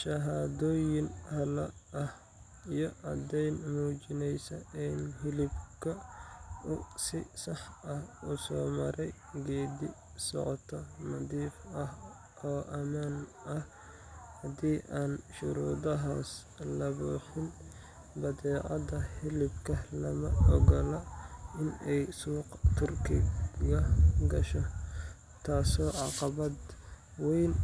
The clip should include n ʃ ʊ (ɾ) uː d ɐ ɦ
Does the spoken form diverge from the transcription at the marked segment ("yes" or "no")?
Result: no